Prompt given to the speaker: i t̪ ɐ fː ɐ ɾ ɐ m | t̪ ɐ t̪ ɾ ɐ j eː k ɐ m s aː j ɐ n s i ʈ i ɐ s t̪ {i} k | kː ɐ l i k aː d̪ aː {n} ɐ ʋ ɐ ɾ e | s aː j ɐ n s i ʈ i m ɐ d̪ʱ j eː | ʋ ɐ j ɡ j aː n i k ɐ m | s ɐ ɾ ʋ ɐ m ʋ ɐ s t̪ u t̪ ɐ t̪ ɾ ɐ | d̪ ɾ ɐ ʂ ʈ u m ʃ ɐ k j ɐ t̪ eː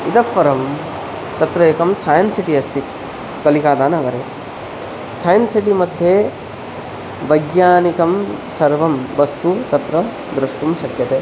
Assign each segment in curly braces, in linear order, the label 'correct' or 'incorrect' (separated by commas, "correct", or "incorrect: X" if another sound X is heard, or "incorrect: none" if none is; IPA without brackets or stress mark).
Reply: correct, correct